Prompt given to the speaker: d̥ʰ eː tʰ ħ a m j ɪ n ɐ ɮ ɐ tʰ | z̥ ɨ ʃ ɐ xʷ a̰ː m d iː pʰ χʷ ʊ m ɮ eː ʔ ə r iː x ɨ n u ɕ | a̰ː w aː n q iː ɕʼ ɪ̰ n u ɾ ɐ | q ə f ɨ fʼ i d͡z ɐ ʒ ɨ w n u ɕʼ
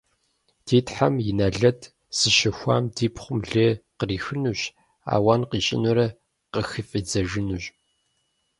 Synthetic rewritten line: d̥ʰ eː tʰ ħ a m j ɪ n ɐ ɮ ɐ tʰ | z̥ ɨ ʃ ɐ xʷ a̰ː m d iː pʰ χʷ ʊ m ɮ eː q ə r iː x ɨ n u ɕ | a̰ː w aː n q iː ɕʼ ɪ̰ n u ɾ ɐ | q ə x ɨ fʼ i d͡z ɐ ʒ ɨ n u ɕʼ